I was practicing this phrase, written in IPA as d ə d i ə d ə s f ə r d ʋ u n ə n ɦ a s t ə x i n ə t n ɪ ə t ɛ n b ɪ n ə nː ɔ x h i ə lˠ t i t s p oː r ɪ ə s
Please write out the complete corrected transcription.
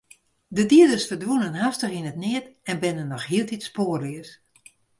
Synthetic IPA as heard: d ə d i ə d ə s f ə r d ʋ u n ə n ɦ a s t ə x i n ə t n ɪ ə t ɛ n b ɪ n ə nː ɔ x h i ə lˠ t i t s p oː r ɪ ə s